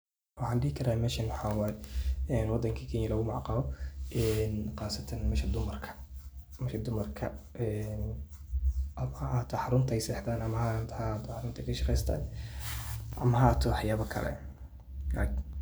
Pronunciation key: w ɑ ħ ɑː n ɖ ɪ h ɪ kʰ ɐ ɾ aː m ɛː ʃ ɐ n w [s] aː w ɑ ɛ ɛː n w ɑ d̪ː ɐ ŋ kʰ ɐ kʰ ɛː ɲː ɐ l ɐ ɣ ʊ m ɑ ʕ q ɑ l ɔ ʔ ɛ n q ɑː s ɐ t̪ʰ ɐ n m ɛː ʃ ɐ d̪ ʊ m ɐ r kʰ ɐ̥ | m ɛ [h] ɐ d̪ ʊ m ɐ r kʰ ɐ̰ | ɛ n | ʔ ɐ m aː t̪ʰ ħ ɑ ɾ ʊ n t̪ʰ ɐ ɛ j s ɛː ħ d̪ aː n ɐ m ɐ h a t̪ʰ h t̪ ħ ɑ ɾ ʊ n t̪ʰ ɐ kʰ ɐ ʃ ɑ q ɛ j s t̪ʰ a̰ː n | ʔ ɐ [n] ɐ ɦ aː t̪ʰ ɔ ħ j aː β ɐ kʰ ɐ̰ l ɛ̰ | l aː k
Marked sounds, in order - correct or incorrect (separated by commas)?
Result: incorrect, incorrect, incorrect